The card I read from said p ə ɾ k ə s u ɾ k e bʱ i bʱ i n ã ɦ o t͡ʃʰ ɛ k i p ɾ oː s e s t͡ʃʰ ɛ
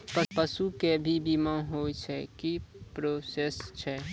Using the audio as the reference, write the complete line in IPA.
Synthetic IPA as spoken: p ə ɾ p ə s u k e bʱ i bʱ i m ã ɦ o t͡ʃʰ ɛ k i p ɾ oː s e s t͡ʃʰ ɛ